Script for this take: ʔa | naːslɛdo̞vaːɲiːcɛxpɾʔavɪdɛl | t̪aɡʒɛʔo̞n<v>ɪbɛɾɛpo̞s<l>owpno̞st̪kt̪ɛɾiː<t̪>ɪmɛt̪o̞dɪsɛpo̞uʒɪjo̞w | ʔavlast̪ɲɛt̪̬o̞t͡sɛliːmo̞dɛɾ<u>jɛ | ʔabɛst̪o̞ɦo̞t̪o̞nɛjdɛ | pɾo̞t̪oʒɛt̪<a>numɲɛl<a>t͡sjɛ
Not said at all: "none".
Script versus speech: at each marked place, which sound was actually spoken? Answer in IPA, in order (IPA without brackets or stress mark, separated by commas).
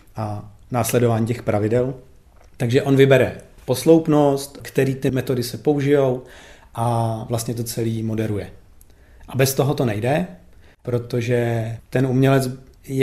v, l, t̪, u, ɛ, ɛ